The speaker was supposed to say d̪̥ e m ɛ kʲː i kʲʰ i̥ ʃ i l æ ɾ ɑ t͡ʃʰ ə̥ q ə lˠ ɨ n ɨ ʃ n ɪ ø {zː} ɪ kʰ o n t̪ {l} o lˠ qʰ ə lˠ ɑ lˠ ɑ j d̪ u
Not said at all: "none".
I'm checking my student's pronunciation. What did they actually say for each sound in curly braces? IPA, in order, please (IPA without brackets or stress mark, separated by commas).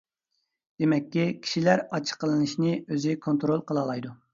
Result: z, ɾ